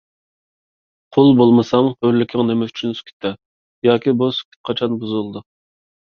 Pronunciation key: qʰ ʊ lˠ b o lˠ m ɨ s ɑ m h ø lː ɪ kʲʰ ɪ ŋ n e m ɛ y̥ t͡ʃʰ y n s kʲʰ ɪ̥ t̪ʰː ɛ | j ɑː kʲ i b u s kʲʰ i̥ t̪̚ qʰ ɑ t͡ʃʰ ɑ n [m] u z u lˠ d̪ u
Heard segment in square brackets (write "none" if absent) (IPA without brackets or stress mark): b